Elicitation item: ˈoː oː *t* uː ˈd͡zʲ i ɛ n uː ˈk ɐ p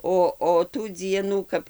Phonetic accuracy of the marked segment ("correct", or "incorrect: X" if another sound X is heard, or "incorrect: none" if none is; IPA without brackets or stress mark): correct